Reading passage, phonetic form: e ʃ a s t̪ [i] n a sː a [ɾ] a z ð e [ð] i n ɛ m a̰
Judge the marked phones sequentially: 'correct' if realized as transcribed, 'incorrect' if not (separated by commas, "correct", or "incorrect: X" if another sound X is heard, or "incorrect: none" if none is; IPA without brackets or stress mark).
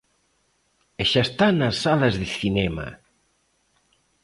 incorrect: a, incorrect: l, incorrect: θ